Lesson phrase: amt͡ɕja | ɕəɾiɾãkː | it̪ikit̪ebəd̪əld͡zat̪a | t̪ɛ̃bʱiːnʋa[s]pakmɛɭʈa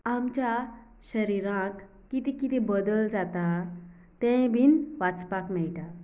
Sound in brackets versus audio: incorrect: t͡s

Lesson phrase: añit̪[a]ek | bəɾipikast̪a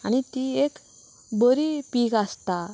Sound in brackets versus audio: incorrect: i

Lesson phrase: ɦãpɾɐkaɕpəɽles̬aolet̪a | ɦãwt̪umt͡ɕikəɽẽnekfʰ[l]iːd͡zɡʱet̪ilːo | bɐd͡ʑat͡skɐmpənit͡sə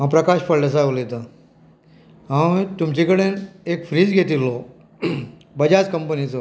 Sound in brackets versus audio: incorrect: ɾ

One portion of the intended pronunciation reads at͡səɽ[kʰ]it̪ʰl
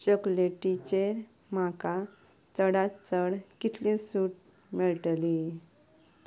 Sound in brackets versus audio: incorrect: k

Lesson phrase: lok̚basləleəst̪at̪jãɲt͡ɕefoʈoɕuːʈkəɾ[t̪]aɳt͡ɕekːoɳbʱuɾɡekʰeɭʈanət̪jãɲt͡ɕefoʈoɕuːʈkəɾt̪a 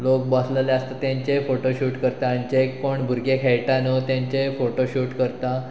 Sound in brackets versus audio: correct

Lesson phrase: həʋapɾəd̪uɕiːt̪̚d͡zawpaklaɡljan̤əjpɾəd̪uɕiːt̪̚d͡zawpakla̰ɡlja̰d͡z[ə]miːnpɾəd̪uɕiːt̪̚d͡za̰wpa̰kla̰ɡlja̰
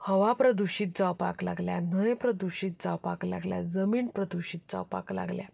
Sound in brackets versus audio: correct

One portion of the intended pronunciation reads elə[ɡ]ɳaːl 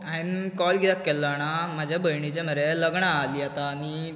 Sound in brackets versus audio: correct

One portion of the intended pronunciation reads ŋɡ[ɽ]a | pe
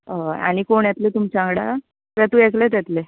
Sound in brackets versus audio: correct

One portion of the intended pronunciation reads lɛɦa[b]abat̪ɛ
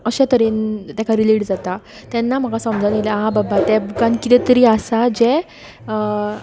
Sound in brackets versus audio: correct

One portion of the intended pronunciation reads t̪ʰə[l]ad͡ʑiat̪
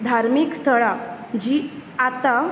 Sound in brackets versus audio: incorrect: ɭ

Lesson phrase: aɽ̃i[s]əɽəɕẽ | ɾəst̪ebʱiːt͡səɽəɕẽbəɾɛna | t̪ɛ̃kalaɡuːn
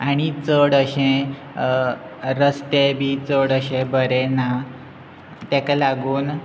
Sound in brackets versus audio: incorrect: t͡s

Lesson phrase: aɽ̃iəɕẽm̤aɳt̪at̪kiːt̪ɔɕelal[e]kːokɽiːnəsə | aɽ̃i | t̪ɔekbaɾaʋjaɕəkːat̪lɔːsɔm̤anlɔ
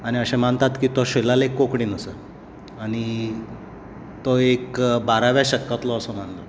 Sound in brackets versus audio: correct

